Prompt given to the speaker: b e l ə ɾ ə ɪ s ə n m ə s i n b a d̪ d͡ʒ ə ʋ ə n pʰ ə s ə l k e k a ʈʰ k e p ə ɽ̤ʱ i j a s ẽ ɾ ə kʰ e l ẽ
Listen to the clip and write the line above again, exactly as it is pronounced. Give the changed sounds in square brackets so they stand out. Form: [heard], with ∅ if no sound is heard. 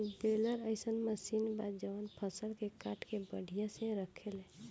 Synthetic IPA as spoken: b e l ə ɾ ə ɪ s ə n m ə s i n b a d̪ d͡ʒ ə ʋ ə n pʰ ə s ə l k e k a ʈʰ k e [b] ə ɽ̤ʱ i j a s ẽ ɾ ə kʰ e l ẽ